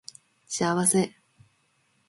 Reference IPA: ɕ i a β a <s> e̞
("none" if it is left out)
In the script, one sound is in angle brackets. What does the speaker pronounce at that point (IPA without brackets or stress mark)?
s